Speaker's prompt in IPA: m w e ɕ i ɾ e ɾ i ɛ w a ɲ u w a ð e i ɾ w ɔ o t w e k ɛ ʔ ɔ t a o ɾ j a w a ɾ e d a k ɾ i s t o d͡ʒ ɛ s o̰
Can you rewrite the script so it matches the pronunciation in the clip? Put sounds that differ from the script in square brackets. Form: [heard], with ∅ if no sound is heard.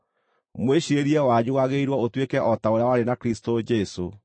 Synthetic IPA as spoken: m w e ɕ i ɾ e ɾ i ɛ w a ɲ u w a [ɣ] e i ɾ w ɔ o t w e k ɛ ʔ ɔ t a o ɾ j a w a ɾ e [n] a k ɾ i s t o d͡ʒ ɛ s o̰